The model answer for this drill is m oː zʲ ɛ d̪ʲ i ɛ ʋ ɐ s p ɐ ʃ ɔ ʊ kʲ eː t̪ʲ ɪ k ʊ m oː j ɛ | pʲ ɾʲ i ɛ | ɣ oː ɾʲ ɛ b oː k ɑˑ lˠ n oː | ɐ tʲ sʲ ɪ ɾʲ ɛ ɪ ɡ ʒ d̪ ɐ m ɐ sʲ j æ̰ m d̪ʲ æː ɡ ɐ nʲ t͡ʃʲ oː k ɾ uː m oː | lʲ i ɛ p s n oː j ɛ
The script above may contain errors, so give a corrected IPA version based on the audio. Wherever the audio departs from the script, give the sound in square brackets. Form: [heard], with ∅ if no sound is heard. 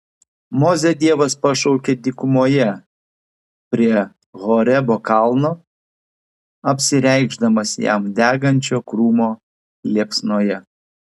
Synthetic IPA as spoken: m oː zʲ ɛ d̪ʲ i ɛ ʋ ɐ s p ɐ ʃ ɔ ʊ kʲ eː [d̪ʲ] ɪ k ʊ m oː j ɛ | pʲ ɾʲ i ɛ | ɣ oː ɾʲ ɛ b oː k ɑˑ lˠ n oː | ɐ [pʲ] sʲ ɪ ɾʲ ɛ ɪ ɡ ʒ d̪ ɐ m ɐ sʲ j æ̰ m d̪ʲ æː ɡ ɐ nʲ t͡ʃʲ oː k ɾ uː m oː | lʲ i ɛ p s n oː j ɛ